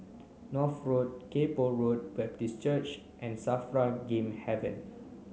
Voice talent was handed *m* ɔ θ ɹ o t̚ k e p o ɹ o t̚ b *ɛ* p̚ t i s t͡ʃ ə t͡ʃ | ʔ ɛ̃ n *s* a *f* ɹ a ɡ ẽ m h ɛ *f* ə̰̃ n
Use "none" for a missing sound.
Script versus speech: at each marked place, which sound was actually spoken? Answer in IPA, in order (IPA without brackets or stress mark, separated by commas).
n, ɛ, s, f, v